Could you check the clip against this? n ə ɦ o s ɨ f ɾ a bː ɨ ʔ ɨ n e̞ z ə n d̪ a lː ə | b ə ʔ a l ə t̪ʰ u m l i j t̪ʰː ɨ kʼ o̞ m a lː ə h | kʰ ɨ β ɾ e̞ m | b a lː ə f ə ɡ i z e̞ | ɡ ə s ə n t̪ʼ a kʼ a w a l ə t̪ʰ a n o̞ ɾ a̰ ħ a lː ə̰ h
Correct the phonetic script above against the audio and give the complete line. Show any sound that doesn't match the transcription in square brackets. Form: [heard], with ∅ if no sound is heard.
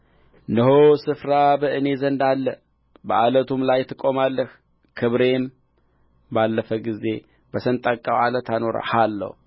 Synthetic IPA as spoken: n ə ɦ o s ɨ f ɾ a [b] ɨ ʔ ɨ n e̞ z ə n d̪ a lː ə | b ə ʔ a l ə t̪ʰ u m l [a] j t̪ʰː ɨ kʼ o̞ m a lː ə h | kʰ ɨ β ɾ e̞ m | b a lː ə f ə ɡ i z e̞ | [b] ə s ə n t̪ʼ a kʼ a w a l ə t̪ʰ a n o̞ ɾ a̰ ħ a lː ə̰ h